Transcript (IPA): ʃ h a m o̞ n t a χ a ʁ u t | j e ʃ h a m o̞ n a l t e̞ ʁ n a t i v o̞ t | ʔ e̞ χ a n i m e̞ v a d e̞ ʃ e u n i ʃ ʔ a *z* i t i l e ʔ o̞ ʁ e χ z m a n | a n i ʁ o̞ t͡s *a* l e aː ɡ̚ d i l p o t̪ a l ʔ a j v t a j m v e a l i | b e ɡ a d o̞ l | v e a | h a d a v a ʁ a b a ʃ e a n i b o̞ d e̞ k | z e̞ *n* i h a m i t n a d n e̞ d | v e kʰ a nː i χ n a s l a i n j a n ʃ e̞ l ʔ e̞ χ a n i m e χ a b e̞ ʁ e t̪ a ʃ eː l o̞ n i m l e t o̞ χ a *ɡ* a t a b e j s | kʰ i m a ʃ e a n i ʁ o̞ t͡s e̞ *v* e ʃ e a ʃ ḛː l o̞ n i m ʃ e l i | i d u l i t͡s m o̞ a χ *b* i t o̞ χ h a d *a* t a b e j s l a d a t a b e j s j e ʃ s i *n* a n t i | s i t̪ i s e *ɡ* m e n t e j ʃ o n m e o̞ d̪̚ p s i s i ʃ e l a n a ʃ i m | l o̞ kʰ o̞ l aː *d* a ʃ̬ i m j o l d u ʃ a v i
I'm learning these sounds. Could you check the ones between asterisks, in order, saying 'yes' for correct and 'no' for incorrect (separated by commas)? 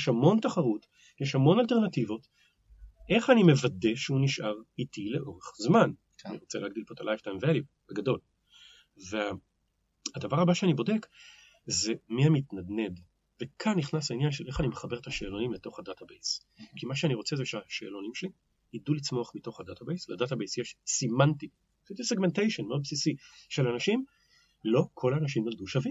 no, no, no, no, no, no, yes, no, yes, no